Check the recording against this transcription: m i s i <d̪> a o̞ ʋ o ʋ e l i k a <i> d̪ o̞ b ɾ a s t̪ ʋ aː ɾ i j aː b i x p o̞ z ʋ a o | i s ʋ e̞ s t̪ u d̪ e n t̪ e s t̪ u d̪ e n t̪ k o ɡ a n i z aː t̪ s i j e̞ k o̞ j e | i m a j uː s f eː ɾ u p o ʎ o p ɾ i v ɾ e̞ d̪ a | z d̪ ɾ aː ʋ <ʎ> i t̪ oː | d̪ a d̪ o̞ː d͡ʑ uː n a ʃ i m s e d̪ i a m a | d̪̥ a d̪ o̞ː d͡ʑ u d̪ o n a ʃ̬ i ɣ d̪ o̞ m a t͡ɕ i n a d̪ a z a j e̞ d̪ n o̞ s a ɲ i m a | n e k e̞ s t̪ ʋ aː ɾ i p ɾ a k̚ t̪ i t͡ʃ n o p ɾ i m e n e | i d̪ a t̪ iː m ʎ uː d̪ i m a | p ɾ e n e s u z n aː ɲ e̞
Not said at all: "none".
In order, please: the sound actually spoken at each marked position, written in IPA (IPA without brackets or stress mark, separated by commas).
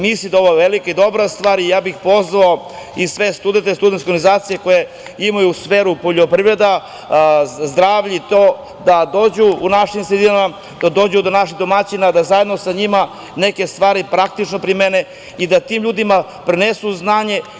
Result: d̪, i, ʎ